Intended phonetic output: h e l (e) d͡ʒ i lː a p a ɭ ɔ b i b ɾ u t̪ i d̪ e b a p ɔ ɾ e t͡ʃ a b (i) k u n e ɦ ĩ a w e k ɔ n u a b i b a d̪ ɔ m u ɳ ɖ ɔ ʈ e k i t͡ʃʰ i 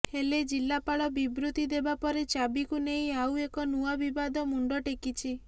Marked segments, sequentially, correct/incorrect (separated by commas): correct, correct